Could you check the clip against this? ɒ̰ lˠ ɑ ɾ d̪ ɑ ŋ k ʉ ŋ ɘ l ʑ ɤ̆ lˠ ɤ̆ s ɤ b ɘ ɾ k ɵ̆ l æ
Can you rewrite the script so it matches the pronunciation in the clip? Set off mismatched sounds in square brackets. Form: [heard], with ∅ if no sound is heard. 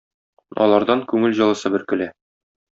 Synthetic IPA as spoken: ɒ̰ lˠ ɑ ɾ d̪ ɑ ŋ k ʉ ŋ ɘ l ʑ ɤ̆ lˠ ɤ̆ s ɤ b ɘ ɾ k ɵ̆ l æ